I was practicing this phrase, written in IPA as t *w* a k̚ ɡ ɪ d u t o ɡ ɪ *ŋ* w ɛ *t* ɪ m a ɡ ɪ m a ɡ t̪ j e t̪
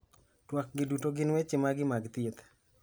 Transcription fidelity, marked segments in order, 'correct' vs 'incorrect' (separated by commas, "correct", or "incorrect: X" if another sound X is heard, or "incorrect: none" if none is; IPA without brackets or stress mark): correct, incorrect: n, incorrect: t͡ʃ